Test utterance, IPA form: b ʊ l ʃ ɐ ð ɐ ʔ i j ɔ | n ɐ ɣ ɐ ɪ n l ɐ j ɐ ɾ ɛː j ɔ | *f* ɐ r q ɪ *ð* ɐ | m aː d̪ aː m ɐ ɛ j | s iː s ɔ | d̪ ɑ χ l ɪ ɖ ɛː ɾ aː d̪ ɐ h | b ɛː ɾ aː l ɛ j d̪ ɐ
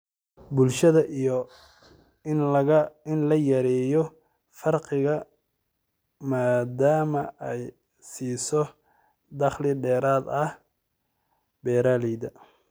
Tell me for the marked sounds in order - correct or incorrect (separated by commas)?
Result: correct, incorrect